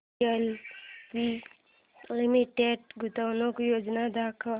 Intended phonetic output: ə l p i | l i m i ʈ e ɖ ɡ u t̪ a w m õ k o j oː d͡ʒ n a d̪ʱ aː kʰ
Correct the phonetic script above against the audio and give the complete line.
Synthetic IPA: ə l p i | l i m i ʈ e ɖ ɡ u t̪ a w n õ k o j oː d͡ʒ n a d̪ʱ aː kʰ